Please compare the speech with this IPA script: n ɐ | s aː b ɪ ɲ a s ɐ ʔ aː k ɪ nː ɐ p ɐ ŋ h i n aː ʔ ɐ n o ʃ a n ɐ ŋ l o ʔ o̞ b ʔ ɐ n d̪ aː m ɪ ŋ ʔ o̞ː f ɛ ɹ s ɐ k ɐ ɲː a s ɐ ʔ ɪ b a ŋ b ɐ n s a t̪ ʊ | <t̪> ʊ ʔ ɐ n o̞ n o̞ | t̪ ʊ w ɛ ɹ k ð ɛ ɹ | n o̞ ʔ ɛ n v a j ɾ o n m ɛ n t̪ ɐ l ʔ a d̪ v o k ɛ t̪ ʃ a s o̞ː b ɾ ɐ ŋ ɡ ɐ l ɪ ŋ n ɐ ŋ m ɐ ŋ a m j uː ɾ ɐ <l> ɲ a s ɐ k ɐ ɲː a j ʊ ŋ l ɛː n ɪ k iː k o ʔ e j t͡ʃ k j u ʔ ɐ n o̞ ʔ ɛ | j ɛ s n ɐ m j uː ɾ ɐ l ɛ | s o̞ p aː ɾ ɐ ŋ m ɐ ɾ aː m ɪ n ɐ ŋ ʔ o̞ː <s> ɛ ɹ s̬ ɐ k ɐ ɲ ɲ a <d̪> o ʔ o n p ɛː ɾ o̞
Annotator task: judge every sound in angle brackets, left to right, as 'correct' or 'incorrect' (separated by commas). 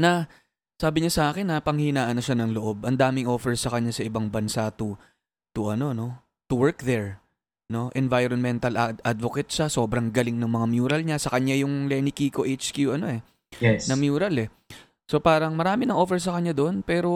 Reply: correct, correct, incorrect, correct